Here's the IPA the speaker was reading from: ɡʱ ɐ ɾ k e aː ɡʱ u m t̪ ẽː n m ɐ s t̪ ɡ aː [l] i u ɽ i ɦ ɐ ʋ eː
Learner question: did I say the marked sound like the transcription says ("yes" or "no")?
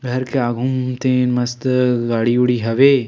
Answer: no